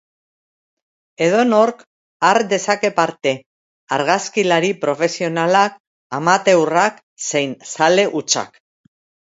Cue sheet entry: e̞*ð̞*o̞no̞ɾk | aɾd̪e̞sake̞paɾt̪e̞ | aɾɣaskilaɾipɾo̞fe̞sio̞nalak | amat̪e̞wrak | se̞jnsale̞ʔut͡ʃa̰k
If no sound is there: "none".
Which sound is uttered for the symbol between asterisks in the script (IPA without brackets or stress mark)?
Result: ð̞